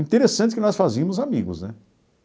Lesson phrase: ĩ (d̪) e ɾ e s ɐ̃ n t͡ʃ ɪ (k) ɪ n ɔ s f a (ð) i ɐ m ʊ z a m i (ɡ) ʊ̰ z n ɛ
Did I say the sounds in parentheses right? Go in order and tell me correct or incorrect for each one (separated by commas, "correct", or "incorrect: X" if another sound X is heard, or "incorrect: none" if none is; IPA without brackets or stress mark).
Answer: incorrect: t̪, correct, incorrect: z, correct